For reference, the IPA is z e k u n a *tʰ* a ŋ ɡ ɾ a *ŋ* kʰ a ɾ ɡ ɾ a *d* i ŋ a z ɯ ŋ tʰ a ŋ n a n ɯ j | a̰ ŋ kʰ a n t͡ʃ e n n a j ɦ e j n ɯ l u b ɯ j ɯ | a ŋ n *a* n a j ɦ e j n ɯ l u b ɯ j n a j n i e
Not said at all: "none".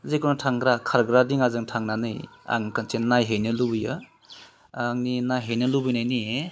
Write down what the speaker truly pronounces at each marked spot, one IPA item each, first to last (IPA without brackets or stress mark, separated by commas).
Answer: tʰ, none, d, i